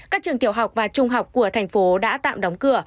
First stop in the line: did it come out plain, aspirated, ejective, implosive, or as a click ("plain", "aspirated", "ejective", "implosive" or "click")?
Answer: plain